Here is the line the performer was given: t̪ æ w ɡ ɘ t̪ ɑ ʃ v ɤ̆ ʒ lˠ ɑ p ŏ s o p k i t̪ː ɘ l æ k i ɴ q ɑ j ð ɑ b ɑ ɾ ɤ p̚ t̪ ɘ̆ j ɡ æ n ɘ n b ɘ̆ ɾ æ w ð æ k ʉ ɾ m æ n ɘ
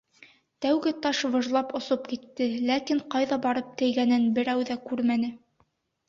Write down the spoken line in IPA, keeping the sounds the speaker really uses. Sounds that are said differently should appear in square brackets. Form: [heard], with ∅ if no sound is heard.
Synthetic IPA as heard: t̪ æ w ɡ ɘ t̪ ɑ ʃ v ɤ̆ ʒ lˠ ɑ p ŏ s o p k i t̪ː ɘ l æ k i ɴ q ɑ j ð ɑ b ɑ ɾ ɤ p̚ t̪ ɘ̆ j ɡ æ n ɘ n b ɘ̆ ɾ æ w ð æ k ʉ ɾ m æ n ɘ